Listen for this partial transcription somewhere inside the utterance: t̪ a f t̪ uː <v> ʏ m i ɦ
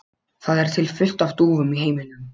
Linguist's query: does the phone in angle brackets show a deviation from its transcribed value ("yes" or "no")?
no